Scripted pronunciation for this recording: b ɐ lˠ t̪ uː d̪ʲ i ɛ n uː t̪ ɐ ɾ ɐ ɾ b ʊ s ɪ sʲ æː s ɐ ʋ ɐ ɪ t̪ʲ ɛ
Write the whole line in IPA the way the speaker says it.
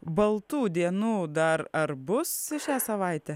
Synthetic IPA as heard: b ɐ lˠ t̪ uː d̪ʲ i ɛ n uː d̪ ɐ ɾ ɐ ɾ b ʊ s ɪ ʃʲ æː s ɐ ʋ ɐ ɪ t̪ʲ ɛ

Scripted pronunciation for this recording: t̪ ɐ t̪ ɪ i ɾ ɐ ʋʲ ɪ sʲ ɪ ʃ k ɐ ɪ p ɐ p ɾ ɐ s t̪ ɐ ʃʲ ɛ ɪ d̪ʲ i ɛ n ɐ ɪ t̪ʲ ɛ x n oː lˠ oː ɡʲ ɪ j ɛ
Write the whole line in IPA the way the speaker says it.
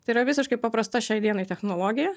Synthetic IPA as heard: t̪ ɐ ɪ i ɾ ɐ ʋʲ ɪ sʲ ɪ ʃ k ɐ ɪ p ɐ p ɾ ɐ s t̪ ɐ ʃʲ ɛ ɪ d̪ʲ i ɛ n ɐ ɪ t̪ʲ ɛ x n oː lˠ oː ɡʲ ɪ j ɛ

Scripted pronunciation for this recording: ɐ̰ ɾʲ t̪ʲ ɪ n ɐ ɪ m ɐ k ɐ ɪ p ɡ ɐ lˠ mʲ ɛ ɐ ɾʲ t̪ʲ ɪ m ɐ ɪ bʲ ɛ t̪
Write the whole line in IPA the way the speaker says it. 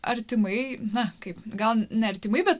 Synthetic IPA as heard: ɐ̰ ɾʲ t̪ʲ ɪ m ɐ ɪ n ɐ k ɐ ɪ p ɡ ɐ lˠ nʲ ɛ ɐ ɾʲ t̪ʲ ɪ m ɐ ɪ bʲ ɛ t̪

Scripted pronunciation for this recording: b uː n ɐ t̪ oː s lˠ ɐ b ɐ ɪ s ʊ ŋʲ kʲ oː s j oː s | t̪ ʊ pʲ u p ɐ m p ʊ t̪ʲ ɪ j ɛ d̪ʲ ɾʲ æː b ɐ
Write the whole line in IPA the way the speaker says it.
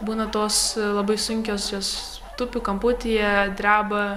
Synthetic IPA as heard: b uː n ɐ t̪ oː s lˠ ɐ b ɐ ɪ s ʊ ŋʲ kʲ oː s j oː s | t̪ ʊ pʲ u k ɐ m p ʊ t̪ʲ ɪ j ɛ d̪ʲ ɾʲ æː b ɐ

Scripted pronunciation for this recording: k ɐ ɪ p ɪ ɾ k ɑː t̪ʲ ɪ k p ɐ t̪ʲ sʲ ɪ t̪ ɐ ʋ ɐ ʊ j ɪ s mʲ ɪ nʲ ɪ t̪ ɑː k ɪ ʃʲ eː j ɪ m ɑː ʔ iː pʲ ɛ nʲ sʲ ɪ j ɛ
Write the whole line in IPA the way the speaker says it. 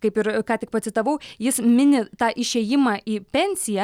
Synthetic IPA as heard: k ɐ ɪ p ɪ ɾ k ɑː t̪ʲ ɪ k p ɐ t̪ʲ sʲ ɪ t̪ ɐ ʋ ɐ ʊ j ɪ s mʲ ɪ nʲ ɪ t̪ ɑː ʔ ɪ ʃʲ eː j ɪ m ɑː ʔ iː pʲ ɛ nʲ sʲ ɪ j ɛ

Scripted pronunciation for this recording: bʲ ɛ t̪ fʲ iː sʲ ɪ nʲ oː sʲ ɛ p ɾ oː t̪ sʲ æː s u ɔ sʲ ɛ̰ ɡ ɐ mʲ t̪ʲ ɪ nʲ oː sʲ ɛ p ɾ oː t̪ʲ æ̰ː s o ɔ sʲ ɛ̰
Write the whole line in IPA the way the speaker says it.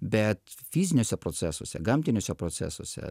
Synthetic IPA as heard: bʲ ɛ t̪ fʲ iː zʲ ɪ nʲ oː sʲ ɛ p ɾ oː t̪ sʲ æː s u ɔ sʲ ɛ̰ ɡ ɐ mʲ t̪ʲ ɪ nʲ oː sʲ ɛ p ɾ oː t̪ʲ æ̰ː s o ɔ sʲ ɛ̰

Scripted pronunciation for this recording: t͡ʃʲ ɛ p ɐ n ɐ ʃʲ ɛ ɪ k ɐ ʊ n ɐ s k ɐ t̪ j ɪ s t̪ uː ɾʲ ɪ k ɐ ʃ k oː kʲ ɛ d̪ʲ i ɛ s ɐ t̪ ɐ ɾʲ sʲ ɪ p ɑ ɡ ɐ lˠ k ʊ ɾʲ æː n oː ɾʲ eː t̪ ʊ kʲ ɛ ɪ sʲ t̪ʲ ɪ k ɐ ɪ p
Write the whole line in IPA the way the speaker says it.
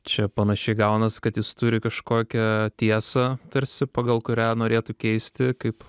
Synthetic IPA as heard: t͡ʃʲ ɛ p ɐ n ɐ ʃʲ ɛ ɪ ɡ ɐ ʊ n ɐ s k ɐ t̪ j ɪ s t̪ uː ɾʲ ɪ k ɐ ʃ k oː kʲ ɛ t̪ʲ i ɛ s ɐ t̪ ɐ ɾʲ sʲ ɪ p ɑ ɡ ɐ lˠ k ʊ ɾʲ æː n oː ɾʲ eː t̪ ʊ kʲ ɛ ɪ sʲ t̪ʲ ɪ k ɐ ɪ p

